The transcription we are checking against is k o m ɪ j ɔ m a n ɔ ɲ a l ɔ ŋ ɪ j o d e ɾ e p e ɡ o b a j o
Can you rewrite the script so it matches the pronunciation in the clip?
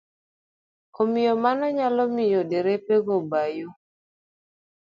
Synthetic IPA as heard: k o m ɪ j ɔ m a n ɔ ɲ a l ɔ m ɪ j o d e ɾ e p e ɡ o b a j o